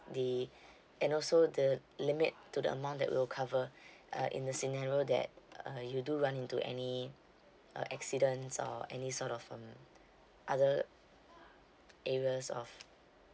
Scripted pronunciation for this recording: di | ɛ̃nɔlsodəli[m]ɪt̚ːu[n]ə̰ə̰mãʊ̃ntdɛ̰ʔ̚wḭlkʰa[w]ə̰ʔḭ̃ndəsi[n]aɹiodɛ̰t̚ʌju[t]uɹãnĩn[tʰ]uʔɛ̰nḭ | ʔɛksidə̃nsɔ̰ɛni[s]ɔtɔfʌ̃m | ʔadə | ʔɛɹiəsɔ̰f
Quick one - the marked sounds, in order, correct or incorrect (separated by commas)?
correct, incorrect, incorrect, correct, incorrect, incorrect, correct